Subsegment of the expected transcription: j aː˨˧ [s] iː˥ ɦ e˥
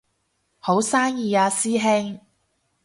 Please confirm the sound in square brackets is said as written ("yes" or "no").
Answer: yes